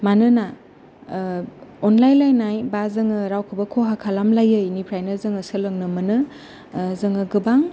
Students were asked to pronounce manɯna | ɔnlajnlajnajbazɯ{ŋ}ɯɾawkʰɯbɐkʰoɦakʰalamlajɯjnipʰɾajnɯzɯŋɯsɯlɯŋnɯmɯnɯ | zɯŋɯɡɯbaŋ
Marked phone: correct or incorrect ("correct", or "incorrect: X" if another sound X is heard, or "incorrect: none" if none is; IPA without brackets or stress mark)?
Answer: correct